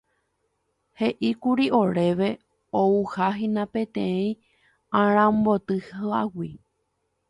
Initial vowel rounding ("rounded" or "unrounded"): unrounded